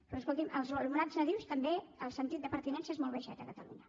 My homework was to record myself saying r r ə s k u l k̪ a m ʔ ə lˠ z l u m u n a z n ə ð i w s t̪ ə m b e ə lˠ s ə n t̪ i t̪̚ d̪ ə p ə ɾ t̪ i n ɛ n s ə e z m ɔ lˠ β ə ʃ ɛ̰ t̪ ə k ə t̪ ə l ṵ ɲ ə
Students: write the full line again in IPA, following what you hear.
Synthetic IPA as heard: r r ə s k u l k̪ i m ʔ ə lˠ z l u m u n a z n ə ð i w s t̪ ə m b e ə lˠ s ə n t̪ i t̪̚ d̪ ə p ə ɾ t̪ i n ɛ n s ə e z m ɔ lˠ β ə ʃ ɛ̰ t̪ ə k ə t̪ ə l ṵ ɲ ə